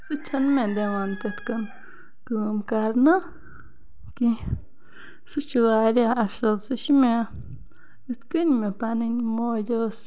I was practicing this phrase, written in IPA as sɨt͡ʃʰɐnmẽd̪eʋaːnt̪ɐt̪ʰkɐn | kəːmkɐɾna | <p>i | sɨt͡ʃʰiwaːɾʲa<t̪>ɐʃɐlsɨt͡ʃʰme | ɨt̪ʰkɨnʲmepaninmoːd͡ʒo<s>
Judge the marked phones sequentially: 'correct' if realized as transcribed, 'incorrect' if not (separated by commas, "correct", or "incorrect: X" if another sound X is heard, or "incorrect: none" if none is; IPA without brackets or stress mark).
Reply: incorrect: k, incorrect: none, correct